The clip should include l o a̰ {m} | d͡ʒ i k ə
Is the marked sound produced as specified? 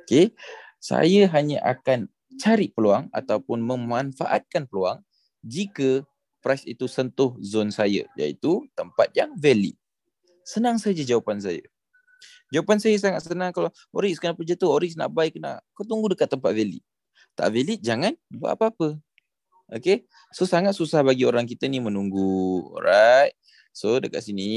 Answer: no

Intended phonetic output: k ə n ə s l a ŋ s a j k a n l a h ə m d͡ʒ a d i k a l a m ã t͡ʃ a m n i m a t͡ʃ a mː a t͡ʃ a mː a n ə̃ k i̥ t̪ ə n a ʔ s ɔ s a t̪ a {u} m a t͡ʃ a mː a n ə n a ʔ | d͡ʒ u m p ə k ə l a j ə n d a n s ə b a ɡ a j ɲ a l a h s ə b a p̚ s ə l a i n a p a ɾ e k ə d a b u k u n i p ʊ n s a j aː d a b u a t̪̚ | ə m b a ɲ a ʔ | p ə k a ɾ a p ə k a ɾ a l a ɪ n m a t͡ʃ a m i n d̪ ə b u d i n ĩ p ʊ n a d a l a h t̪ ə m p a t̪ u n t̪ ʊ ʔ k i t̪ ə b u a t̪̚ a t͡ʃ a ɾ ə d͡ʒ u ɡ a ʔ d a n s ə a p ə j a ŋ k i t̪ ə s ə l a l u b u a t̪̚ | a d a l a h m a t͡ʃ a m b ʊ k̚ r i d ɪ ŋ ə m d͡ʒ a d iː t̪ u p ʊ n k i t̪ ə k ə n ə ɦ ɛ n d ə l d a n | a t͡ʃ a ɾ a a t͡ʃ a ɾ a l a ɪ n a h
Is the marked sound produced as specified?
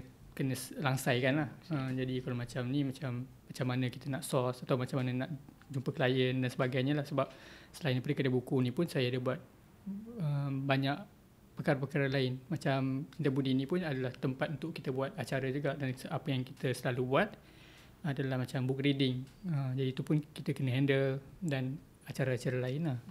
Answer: no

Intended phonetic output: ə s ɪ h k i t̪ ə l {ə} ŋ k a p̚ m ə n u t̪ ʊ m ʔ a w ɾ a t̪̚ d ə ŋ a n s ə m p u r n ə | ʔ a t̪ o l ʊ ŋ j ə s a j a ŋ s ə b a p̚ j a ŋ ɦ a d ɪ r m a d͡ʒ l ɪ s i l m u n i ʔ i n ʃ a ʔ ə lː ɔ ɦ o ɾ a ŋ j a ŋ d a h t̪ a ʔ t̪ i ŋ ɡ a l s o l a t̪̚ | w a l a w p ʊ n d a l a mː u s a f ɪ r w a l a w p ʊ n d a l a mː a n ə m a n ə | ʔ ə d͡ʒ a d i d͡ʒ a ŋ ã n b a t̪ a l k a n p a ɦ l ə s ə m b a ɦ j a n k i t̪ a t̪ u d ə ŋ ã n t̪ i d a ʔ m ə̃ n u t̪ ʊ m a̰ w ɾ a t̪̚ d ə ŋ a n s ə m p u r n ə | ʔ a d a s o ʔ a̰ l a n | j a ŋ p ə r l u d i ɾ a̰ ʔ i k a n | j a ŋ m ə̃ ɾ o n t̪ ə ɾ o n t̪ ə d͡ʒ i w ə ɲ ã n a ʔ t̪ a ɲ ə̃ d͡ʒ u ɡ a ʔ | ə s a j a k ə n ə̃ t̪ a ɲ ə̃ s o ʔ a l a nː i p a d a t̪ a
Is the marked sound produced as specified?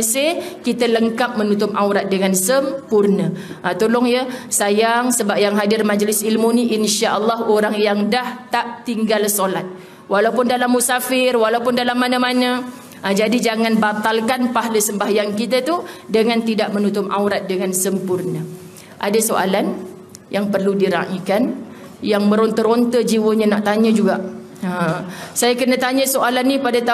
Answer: yes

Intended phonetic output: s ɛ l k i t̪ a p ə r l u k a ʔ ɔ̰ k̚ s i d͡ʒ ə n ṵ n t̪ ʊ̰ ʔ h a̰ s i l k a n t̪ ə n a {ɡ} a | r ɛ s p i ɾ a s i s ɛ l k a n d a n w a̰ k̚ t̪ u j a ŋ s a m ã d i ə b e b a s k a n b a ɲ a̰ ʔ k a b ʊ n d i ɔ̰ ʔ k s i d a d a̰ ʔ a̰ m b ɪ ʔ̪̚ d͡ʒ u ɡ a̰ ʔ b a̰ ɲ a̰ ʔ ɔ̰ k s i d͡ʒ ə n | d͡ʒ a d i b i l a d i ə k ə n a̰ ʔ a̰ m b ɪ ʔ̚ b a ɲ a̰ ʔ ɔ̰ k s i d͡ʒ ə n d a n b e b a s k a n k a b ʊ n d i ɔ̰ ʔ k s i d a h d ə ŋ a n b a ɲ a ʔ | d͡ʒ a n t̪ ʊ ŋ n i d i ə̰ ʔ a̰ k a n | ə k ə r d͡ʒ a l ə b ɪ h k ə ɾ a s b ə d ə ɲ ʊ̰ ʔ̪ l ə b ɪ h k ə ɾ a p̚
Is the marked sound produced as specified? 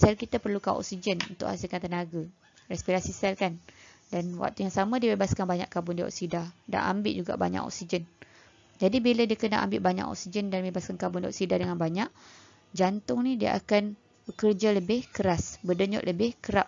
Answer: yes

